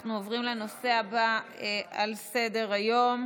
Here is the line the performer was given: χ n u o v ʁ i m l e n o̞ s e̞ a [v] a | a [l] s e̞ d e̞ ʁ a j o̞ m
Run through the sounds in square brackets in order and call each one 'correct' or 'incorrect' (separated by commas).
incorrect, correct